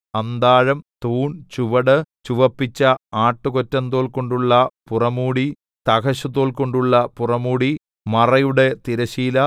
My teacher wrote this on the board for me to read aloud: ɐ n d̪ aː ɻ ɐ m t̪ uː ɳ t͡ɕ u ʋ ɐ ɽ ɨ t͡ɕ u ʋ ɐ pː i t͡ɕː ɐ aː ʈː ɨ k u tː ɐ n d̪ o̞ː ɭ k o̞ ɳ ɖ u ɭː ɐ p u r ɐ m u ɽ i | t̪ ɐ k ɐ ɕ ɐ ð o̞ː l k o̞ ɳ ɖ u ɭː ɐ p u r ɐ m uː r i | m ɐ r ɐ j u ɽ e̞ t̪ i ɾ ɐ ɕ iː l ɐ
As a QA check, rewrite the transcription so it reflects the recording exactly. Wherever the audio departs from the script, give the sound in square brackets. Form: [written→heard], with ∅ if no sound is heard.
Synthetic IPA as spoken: ɐ n d̪ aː ɻ ɐ m t̪ uː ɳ t͡ɕ u ʋ ɐ ɽ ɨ t͡ɕ u ʋ ɐ pː i t͡ɕː ɐ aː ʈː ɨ k [u→o] tː ɐ n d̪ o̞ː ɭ k o̞ ɳ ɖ u ɭː ɐ p u r ɐ m [u→uː] ɽ i | t̪ ɐ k ɐ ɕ ɐ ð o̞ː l k o̞ ɳ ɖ u ɭː ɐ p u r ɐ m uː [r→ɽ] i | m ɐ r ɐ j u ɽ e̞ t̪ i ɾ ɐ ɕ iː l ɐ

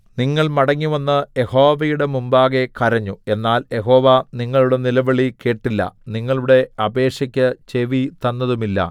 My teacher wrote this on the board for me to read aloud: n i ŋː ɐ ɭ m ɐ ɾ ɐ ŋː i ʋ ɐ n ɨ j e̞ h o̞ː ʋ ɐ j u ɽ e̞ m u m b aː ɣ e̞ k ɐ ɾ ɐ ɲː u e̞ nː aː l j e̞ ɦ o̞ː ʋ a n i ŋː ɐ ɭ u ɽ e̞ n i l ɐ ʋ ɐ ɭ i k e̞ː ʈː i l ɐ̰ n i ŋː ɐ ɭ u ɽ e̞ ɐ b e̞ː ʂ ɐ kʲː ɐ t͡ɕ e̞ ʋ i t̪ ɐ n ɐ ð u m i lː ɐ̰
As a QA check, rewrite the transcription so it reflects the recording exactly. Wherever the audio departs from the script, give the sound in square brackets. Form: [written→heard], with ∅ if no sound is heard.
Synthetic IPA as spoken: n i ŋː ɐ ɭ m ɐ [ɾ→ɽ] ɐ ŋː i ʋ ɐ [n→nː] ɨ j e̞ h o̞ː ʋ ɐ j u ɽ e̞ m u m b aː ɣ e̞ k ɐ ɾ ɐ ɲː u e̞ nː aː l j e̞ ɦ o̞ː ʋ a n i ŋː ɐ ɭ u ɽ e̞ n i l ɐ ʋ ɐ ɭ i k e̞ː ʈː i [l→lː] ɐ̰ n i ŋː ɐ ɭ u ɽ e̞ ɐ b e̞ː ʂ ɐ kʲː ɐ t͡ɕ e̞ ʋ i t̪ ɐ [n→nː] ɐ ð u m i lː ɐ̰

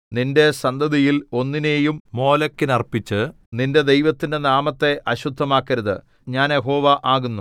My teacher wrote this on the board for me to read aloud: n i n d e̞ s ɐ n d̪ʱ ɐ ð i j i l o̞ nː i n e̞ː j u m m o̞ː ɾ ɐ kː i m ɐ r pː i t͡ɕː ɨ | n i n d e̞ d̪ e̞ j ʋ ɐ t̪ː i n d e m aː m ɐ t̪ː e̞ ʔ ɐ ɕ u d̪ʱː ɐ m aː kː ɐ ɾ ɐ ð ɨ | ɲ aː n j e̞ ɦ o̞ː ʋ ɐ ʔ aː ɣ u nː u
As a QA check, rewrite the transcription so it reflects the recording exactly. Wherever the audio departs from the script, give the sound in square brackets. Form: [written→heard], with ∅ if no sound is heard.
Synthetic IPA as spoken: n i n d e̞ s ɐ n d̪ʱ ɐ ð i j i l o̞ nː i n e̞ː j u m m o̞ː [ɾ→l] ɐ kː i [m→n] ɐ r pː i t͡ɕː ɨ | n i n d e̞ d̪ e̞ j ʋ ɐ t̪ː i n d e [m→n] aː m ɐ t̪ː e̞ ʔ ɐ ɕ u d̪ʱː ɐ m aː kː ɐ ɾ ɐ ð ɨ | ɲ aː n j e̞ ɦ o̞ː ʋ ɐ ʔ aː ɣ u nː u

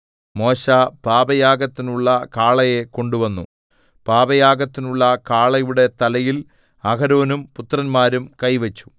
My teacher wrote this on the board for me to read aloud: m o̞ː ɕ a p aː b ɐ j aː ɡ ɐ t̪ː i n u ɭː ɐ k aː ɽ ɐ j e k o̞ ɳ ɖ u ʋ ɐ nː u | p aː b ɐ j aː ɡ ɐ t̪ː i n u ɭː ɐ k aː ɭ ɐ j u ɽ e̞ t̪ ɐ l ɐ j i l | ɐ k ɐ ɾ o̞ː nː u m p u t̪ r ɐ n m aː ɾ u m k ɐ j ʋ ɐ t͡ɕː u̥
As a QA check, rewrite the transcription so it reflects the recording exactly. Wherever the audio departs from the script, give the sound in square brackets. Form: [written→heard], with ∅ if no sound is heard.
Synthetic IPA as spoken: m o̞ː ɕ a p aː b ɐ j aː ɡ ɐ t̪ː i n u ɭː ɐ k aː [ɽ→ɭ] ɐ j e k o̞ ɳ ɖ u ʋ ɐ nː u | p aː b ɐ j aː ɡ ɐ t̪ː i n u ɭː ɐ k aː ɭ ɐ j u ɽ e̞ t̪ ɐ l ɐ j i l | ɐ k ɐ ɾ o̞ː [nː→n] u m p u t̪ r ɐ n m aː ɾ u m k ɐ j ʋ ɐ t͡ɕː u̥

